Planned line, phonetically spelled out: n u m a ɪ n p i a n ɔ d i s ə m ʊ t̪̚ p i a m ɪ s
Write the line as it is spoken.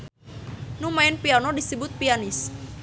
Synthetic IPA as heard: n u m a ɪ n p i a n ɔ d i s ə b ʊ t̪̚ p i a n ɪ s